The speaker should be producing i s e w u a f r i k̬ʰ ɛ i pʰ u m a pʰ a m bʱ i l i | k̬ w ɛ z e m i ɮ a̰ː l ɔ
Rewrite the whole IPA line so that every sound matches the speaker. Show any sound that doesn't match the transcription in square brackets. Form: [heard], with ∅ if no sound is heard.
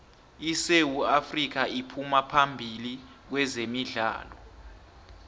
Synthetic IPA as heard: i s e w u a f r i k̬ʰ [a] i pʰ u m a pʰ a m bʱ i l i | k̬ w ɛ z e m i ɮ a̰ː l ɔ